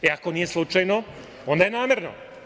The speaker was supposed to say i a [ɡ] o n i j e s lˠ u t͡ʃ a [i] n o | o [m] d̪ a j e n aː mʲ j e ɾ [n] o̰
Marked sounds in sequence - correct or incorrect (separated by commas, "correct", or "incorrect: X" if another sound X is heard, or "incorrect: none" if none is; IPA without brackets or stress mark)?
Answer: incorrect: k, incorrect: j, incorrect: n, correct